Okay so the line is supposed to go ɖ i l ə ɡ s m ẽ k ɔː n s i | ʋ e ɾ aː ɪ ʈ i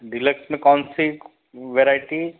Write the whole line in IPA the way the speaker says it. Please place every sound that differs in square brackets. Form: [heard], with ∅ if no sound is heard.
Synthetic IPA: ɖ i l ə [k] s m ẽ k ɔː n s i | ʋ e ɾ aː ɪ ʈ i